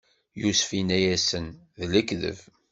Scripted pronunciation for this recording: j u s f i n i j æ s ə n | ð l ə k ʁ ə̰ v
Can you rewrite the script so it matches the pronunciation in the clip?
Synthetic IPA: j u s f i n æ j æ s ə n | ð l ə k ð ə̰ v